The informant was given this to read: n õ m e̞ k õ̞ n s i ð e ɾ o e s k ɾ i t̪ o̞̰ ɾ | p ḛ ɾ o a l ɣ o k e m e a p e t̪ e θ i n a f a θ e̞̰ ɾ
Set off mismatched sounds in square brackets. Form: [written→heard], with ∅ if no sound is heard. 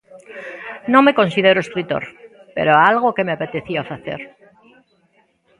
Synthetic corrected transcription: n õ m e̞ k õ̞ n s i ð e ɾ o e s k ɾ i t̪ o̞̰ ɾ | p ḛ ɾ o a l ɣ o k e m e a p e t̪ e θ i [n→∅] a f a θ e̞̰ ɾ